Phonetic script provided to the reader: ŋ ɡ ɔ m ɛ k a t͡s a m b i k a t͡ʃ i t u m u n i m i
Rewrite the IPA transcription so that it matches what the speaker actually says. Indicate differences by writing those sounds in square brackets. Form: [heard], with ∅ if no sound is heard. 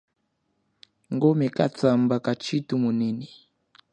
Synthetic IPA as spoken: ŋ ɡ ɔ m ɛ k a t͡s a m b [a] k a t͡ʃ i t u m u n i [n] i